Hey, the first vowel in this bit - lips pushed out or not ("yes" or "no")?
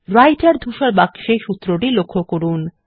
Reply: no